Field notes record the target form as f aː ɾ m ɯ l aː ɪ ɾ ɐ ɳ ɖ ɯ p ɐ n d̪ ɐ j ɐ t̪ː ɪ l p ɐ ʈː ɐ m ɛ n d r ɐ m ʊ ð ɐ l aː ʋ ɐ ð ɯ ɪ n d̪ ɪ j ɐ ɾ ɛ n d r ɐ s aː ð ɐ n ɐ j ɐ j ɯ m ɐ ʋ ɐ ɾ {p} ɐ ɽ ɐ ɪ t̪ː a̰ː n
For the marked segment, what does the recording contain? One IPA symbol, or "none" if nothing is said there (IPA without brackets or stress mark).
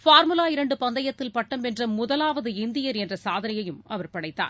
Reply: p